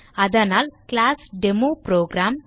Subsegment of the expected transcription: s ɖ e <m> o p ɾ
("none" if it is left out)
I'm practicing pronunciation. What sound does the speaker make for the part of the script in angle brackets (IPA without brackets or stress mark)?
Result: m